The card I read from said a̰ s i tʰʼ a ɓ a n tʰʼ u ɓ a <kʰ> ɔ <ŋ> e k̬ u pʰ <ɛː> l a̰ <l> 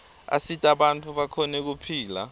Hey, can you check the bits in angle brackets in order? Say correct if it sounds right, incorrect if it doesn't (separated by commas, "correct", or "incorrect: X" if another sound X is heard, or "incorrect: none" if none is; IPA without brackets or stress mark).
correct, incorrect: n, incorrect: iː, incorrect: none